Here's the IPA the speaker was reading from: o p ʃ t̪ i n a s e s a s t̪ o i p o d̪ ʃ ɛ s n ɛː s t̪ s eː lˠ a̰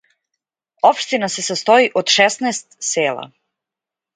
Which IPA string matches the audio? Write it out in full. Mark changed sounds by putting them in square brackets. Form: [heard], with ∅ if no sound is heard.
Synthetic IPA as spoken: o p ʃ t̪ i n a s e s a s t̪ o i [ʔ] o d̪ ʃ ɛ s n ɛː s t̪ s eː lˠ a̰